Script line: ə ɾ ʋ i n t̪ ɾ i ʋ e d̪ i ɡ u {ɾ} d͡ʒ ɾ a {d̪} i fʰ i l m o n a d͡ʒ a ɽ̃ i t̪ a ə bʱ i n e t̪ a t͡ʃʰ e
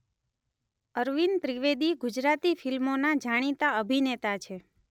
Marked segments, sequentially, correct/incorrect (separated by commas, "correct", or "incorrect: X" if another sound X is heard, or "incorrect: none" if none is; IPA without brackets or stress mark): incorrect: none, incorrect: t̪